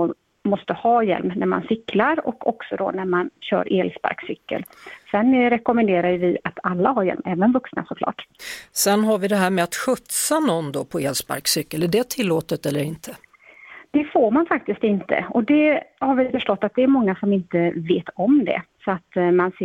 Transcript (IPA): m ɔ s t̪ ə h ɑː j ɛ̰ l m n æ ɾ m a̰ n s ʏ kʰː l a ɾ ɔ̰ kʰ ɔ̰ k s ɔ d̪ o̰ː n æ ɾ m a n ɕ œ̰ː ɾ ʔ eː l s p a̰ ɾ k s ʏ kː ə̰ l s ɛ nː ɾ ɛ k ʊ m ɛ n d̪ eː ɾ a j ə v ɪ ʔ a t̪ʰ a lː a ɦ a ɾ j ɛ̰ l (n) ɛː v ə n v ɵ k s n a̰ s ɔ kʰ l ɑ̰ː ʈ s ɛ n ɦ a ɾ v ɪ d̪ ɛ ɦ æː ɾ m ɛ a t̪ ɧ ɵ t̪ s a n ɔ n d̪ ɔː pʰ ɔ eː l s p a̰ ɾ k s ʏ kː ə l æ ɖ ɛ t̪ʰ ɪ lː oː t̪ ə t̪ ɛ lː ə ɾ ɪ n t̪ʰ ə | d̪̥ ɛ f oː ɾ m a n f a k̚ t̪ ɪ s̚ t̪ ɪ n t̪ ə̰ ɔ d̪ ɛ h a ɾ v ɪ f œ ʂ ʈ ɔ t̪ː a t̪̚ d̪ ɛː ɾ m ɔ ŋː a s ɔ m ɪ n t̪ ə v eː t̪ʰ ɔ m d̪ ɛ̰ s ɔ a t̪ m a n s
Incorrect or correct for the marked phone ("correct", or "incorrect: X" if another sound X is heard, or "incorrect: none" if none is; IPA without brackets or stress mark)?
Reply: incorrect: m